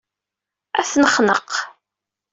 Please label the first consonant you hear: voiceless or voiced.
voiceless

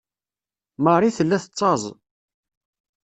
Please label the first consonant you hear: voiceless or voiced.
voiced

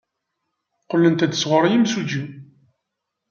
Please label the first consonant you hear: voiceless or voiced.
voiceless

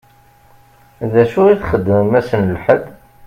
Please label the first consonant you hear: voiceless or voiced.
voiced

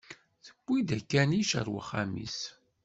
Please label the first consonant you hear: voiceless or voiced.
voiceless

